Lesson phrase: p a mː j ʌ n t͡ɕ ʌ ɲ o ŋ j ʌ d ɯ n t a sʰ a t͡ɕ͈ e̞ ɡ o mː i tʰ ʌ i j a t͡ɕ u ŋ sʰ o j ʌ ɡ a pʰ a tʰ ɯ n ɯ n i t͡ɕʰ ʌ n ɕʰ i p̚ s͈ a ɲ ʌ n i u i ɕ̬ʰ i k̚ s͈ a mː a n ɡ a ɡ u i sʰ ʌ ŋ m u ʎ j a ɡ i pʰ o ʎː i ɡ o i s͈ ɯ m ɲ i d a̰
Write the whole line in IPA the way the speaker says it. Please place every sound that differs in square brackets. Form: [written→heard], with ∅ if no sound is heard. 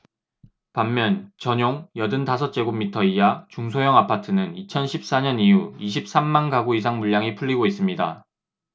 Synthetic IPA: p a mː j ʌ n t͡ɕ ʌ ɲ o ŋ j ʌ d ɯ n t a sʰ [a→ʌ] t͡ɕ͈ e̞ ɡ o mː i tʰ ʌ i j a t͡ɕ u ŋ sʰ o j ʌ [ɡ→ŋ] a pʰ a tʰ ɯ n ɯ n i t͡ɕʰ ʌ n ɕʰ i p̚ s͈ a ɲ ʌ n i u i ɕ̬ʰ i [k̚→p̚] s͈ a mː a n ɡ a ɡ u i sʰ [ʌ→a] ŋ m u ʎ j a [ɡ→ŋ] i pʰ [o→u] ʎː i ɡ o i s͈ ɯ m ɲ i d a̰

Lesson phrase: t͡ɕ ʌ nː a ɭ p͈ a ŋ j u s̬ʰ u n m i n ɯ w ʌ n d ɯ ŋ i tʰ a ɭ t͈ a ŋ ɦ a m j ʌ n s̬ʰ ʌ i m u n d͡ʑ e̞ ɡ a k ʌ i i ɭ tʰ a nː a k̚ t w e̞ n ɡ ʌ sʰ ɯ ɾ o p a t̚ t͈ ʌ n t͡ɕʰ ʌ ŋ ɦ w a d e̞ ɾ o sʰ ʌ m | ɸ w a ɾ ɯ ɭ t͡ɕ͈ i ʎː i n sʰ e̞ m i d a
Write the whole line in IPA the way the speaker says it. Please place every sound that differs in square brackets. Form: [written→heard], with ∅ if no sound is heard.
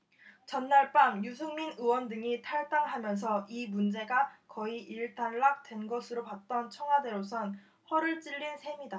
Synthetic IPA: t͡ɕ ʌ nː a ɭ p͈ a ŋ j u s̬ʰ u [n→ŋ] m i n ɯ w ʌ n d ɯ ŋ i tʰ a ɭ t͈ a ŋ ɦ a m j ʌ n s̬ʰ ʌ i m u n d͡ʑ e̞ ɡ a k ʌ i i ɭ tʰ a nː a k̚ t w e̞ n ɡ ʌ sʰ ɯ ɾ o p a t̚ t͈ ʌ n t͡ɕʰ ʌ ŋ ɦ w a d e̞ ɾ o sʰ ʌ [m→n] | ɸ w [a→ʌ] ɾ ɯ ɭ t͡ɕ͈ i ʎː i n sʰ e̞ m i d a

